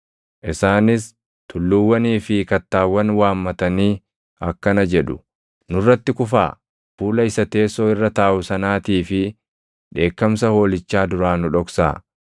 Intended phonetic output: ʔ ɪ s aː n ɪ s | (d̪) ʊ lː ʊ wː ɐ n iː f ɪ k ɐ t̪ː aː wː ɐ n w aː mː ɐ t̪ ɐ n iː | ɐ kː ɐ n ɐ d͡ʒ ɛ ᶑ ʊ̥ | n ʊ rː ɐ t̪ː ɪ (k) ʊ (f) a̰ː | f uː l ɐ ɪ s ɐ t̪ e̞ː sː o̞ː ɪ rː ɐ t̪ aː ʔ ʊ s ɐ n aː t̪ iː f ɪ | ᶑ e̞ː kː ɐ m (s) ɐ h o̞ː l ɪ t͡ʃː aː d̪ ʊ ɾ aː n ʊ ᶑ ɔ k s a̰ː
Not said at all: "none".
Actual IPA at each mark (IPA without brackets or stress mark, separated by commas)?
t̪, k, f, s